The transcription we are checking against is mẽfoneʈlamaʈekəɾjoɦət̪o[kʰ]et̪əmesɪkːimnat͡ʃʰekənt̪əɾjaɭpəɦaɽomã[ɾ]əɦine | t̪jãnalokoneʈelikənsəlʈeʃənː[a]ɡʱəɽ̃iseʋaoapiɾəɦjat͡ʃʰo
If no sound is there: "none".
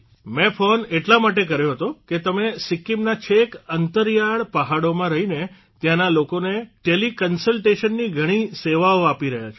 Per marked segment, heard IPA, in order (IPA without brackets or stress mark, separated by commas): k, ɾ, i